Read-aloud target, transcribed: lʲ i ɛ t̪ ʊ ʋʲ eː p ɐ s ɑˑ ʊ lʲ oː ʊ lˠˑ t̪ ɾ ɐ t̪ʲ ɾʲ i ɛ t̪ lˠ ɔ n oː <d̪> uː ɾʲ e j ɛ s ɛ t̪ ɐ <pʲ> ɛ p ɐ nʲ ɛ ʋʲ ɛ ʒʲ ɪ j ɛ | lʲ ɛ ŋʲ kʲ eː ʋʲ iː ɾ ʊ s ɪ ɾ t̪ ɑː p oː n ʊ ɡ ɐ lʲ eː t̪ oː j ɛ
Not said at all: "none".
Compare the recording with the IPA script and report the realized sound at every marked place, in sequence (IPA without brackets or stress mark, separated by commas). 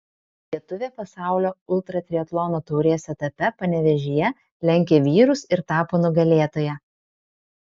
t̪, pʲ